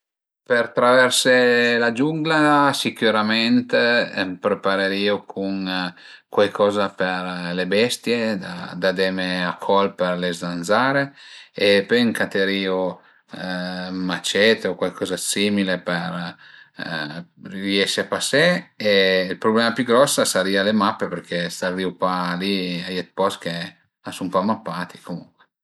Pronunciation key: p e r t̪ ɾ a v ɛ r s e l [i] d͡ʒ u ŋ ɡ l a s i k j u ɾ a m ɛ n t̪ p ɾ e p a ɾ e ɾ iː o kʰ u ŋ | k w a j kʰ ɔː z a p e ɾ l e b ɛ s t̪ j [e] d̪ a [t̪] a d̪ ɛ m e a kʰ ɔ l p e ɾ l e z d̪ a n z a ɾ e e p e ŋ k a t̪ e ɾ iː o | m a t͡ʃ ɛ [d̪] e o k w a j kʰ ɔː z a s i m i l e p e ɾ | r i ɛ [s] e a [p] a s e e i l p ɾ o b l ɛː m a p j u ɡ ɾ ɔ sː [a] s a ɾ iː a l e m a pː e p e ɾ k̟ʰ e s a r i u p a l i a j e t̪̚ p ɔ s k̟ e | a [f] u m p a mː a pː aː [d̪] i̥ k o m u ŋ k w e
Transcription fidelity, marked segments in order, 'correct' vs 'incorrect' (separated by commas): incorrect, correct, incorrect, incorrect, incorrect, correct, correct, incorrect, incorrect